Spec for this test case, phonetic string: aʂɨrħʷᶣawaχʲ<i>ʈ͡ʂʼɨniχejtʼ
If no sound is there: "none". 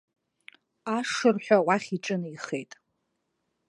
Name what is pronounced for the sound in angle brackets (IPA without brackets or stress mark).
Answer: i